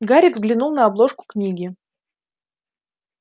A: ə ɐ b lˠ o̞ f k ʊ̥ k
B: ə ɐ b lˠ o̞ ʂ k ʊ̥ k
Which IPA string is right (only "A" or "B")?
B